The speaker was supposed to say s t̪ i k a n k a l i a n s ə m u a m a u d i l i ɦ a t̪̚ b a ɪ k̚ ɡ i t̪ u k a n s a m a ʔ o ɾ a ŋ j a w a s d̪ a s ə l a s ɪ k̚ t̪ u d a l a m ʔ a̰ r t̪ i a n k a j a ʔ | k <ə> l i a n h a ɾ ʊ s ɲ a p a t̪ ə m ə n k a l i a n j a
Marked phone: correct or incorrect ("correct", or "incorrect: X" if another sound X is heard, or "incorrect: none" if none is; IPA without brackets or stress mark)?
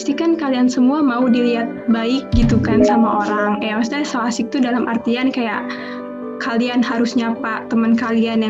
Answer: incorrect: a